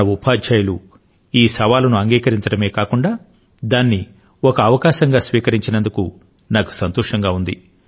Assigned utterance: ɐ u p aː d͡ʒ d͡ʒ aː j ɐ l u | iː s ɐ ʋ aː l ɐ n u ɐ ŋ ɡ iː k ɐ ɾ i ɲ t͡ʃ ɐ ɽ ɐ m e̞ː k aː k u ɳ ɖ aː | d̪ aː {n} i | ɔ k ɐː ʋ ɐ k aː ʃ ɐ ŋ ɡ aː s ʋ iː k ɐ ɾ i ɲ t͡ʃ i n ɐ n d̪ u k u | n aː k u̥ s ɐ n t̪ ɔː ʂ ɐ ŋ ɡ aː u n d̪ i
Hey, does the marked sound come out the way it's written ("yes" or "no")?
no